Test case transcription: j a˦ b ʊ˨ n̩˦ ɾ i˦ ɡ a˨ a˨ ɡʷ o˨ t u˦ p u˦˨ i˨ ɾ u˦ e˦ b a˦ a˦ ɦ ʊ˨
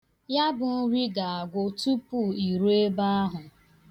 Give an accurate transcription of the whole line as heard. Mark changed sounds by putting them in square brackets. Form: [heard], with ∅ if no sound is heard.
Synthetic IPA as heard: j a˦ b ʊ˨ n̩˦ ɾ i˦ ɡ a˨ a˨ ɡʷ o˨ t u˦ p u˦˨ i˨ ɾ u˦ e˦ b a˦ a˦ ɦ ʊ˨